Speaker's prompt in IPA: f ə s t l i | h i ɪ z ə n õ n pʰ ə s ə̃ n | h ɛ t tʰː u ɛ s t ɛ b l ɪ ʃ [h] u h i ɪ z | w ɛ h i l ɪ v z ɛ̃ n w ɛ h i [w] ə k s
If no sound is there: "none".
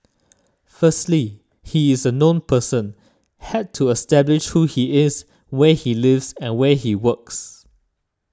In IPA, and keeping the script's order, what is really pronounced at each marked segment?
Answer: h, w

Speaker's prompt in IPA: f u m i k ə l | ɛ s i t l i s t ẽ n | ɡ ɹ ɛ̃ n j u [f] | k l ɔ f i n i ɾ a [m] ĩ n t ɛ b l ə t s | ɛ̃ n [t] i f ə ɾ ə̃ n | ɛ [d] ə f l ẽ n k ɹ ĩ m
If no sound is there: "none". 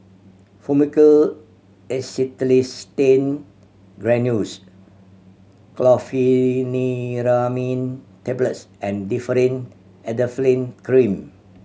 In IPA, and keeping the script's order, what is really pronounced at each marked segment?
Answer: s, m, d, d

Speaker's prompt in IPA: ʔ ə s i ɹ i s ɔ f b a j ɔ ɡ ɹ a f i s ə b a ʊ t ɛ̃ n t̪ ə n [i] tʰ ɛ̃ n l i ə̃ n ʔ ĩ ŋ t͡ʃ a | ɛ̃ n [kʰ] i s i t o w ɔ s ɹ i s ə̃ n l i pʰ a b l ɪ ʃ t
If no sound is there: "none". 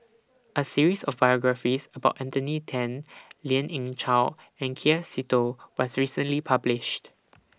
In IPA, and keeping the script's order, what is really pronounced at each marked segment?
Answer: i, kʰ

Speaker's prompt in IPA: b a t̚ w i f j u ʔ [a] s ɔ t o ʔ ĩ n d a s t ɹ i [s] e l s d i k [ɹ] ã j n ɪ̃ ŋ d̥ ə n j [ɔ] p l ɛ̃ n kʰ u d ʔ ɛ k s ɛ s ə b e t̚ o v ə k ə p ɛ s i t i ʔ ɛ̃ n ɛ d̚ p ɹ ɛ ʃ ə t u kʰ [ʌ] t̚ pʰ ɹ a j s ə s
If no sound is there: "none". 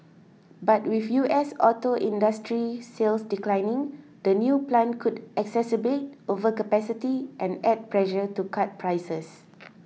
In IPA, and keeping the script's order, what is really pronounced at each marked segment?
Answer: ɛ, s, l, u, a

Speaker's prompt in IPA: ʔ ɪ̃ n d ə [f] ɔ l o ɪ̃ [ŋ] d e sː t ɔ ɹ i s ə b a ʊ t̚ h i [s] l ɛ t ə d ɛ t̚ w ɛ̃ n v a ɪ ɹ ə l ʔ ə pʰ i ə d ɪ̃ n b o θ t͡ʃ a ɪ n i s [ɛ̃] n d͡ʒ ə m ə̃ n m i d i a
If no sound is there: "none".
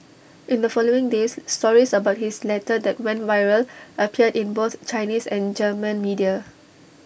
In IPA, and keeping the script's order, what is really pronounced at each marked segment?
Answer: f, ŋ, s, ɛ̃

